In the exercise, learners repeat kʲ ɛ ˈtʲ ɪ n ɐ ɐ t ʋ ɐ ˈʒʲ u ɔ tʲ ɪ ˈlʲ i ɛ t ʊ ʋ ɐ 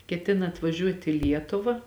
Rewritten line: kʲ ɛ ˈtʲ ɪ n ɐ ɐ t ʋ ɐ ˈʒʲ u ɔ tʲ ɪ ˈlʲ i ɛ t ʊ ʋ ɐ